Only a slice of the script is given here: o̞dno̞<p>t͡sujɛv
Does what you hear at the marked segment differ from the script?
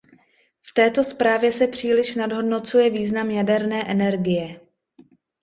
yes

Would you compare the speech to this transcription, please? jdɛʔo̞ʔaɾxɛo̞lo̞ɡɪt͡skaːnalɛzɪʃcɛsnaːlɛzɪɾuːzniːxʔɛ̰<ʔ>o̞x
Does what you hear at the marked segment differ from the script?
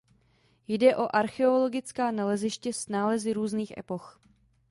yes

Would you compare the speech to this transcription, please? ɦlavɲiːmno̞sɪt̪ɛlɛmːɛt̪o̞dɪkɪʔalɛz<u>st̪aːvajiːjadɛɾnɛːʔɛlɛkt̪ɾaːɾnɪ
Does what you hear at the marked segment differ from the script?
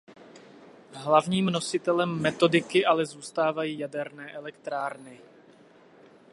yes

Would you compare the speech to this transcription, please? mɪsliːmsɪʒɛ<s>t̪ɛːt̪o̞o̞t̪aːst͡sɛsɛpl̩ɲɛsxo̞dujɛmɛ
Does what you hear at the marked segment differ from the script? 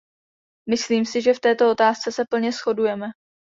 yes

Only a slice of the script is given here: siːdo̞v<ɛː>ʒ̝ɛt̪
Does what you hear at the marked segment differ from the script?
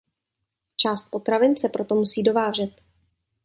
yes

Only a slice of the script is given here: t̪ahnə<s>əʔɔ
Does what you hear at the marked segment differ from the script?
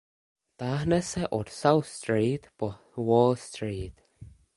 no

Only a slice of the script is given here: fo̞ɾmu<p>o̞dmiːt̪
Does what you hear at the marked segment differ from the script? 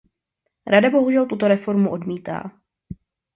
yes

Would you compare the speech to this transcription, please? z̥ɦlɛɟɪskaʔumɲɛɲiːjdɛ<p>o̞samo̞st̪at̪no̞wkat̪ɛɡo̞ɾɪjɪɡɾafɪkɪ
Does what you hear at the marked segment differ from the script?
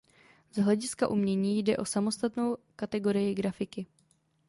yes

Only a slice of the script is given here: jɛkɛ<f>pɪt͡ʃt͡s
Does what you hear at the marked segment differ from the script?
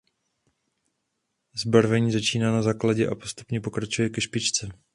yes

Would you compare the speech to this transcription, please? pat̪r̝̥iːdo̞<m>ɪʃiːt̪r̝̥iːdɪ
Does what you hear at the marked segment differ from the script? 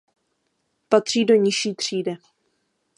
yes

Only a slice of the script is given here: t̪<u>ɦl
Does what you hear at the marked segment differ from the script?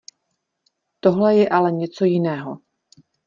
yes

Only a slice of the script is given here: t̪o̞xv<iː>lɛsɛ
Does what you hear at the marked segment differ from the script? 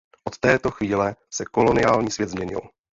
no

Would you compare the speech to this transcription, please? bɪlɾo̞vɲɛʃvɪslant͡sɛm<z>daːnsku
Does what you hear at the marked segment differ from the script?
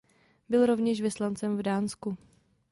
yes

